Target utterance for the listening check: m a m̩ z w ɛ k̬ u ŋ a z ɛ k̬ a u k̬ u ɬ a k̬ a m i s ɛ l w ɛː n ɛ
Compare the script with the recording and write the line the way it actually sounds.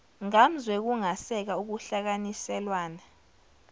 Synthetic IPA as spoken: ŋ a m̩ z w ɛ k̬ u ŋ a s ɛ k̬ a u k̬ u ɬ a k̬ a n i s ɛ l w aː n a